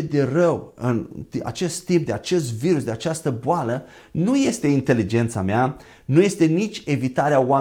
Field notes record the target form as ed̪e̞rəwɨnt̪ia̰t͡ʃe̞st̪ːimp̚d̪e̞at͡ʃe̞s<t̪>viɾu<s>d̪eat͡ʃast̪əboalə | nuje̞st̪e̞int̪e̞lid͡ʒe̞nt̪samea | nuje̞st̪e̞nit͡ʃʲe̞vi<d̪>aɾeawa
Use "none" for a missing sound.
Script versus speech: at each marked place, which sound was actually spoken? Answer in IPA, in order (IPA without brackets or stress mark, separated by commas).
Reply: t̪, s, t̪